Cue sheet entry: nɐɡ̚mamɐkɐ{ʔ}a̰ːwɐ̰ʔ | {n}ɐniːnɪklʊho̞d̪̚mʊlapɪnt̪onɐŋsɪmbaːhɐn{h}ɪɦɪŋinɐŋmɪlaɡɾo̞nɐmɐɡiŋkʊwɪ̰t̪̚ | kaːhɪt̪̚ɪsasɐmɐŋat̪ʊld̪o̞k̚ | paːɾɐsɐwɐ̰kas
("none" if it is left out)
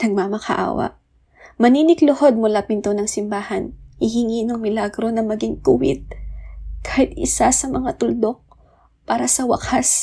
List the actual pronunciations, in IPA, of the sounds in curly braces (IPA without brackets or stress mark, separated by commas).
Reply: ʔ, m, h